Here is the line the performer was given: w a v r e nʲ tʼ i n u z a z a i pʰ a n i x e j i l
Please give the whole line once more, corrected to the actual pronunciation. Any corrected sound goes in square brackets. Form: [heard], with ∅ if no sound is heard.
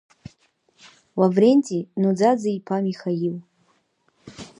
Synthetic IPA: w a v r e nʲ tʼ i n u [d͡z] a [d͡z] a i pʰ a [m] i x [a] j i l